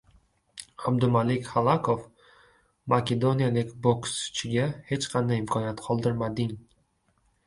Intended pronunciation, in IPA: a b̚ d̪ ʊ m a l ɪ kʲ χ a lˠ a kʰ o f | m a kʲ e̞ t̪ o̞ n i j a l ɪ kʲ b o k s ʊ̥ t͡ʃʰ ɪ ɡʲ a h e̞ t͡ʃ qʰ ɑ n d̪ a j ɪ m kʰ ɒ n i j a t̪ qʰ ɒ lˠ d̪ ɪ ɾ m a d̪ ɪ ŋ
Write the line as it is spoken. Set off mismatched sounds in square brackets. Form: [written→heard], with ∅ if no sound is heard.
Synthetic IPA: a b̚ d̪ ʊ m a l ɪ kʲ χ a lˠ a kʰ o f | m a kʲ e̞ [t̪→d̪] o̞ n i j a l ɪ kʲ b o k s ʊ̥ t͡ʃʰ ɪ ɡʲ a h e̞ t͡ʃ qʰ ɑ n d̪ a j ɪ m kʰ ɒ n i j a t̪ qʰ ɒ lˠ d̪ ɪ ɾ m a d̪ ɪ ŋ